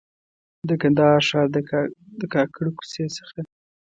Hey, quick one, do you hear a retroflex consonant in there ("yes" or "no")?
yes